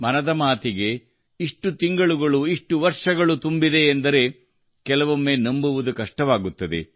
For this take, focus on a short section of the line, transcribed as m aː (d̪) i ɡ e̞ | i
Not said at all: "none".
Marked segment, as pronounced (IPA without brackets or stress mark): t̪